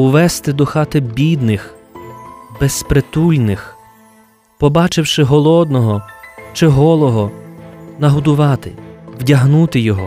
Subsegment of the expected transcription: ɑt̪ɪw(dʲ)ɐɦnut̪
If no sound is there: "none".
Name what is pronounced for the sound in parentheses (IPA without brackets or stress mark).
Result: dʲ